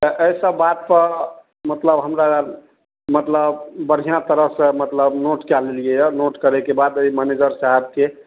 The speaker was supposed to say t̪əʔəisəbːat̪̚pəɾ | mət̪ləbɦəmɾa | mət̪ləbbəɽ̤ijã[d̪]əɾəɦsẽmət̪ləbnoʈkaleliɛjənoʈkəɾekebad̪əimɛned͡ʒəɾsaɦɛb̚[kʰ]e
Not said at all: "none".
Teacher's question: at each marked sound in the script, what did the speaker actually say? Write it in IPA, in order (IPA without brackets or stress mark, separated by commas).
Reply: t̪, k